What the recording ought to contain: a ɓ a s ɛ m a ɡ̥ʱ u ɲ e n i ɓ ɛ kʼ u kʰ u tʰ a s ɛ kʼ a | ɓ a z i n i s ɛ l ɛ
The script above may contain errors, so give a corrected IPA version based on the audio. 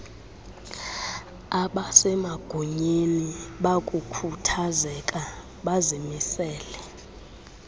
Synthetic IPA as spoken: a ɓ a s ɛ m a ɡ̥ʱ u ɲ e n i ɓ a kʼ u kʰ u tʰ a z ɛ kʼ a | ɓ a z i m i s ɛː l ɛ